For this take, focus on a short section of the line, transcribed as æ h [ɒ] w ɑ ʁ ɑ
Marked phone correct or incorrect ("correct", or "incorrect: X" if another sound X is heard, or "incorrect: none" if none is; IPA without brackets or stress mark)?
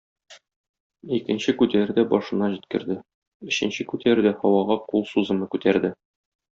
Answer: correct